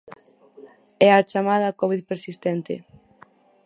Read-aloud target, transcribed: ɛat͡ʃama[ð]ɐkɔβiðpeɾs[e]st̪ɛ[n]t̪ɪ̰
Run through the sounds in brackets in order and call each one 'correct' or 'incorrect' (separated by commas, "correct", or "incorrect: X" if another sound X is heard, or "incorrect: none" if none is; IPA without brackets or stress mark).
correct, incorrect: i, correct